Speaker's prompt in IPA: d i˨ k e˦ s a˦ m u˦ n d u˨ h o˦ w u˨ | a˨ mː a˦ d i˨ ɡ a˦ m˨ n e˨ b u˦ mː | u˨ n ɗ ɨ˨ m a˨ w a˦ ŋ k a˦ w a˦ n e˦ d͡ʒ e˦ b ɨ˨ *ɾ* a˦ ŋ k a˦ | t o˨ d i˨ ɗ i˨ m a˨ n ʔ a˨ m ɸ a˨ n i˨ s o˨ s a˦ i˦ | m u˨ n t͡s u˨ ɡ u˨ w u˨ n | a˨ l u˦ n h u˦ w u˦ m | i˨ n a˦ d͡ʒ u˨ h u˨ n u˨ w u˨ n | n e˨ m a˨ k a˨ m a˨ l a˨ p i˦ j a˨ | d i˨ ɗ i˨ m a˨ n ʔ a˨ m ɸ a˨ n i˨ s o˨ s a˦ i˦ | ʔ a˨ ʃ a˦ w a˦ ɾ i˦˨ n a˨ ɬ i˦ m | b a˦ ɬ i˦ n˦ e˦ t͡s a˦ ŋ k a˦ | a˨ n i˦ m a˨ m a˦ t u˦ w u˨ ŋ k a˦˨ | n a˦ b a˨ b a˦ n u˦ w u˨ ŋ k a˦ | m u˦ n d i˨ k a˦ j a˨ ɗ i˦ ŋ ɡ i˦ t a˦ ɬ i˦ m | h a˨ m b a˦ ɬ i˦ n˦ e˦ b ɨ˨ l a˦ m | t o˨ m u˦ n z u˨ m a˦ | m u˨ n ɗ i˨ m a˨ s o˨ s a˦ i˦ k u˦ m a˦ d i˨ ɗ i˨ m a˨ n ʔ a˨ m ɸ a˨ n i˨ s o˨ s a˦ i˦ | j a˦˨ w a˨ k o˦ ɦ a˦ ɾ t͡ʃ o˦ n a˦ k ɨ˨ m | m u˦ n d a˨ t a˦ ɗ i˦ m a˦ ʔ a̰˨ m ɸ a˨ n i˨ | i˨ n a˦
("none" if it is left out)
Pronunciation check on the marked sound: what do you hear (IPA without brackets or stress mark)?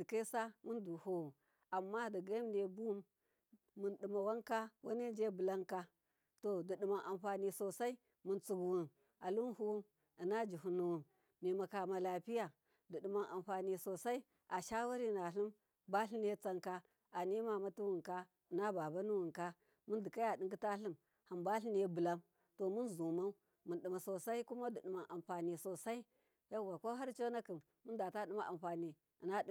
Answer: l